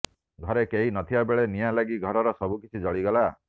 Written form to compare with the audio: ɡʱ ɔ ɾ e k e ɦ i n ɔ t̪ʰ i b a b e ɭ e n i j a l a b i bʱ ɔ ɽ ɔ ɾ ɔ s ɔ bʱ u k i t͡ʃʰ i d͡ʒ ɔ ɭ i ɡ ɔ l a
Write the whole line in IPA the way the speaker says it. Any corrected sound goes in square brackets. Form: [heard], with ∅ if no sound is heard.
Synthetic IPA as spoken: ɡʱ ɔ ɾ e k e ɦ i n ɔ t̪ʰ i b a b e ɭ e n i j a l a [ɡ] i [ɡʱ] ɔ [ɾ] ɔ ɾ ɔ s ɔ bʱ u k i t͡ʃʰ i d͡ʒ ɔ ɭ i ɡ ɔ l a